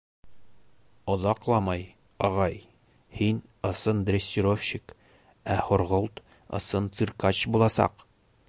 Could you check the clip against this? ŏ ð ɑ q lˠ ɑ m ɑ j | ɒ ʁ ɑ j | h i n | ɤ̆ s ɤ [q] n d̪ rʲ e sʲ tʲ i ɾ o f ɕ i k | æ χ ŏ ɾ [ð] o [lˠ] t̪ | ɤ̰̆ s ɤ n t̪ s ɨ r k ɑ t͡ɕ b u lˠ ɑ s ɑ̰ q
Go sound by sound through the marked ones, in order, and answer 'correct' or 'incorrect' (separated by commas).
incorrect, incorrect, correct